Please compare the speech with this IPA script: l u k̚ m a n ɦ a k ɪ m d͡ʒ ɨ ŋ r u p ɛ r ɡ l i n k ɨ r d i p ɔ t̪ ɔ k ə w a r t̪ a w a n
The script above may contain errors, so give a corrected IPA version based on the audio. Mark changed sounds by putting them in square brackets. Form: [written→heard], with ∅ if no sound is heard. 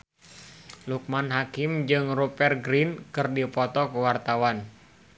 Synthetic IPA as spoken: l u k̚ m a n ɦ a k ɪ m d͡ʒ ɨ ŋ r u p ɛ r ɡ [l→ɾ] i n k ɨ r d i p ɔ t̪ ɔ k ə w a r t̪ a w a n